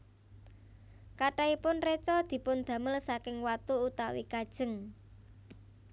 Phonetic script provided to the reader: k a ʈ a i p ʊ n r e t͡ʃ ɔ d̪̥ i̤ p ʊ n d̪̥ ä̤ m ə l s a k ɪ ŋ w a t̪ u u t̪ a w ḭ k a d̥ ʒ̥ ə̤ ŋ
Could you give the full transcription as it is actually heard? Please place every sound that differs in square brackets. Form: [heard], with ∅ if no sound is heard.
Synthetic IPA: k a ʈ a i p ʊ n r e t͡ʃ ɔ d̪̥ i̤ p ʊ n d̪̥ ä̤ m ə l s a k ɪ ŋ w a t̪ u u t̪ a w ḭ k a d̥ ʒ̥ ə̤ ŋ